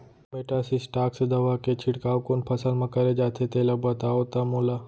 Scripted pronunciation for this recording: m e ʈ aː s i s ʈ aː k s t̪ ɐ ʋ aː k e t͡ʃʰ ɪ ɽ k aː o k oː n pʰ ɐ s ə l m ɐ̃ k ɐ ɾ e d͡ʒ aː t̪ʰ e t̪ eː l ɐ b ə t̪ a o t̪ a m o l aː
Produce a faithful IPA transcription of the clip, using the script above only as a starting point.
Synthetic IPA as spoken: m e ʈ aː s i s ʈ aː k s d̪ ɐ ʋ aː k e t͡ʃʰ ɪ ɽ k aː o k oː n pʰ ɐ s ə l m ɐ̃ k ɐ ɾ e d͡ʒ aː t̪ʰ e t̪ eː l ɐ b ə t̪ a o t̪ a m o l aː